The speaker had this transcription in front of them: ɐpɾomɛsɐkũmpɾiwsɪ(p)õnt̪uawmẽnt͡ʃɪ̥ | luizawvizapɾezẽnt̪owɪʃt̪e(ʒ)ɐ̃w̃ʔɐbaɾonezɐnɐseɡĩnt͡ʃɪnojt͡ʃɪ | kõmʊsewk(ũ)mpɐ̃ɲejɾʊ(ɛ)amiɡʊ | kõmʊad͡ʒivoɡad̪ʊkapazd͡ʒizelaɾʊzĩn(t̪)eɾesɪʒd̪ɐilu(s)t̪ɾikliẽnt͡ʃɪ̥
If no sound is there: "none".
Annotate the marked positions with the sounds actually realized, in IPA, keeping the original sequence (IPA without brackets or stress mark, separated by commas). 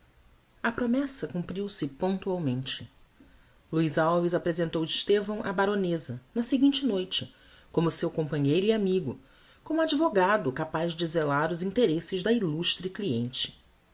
p, v, õ, i, t̪, ʃ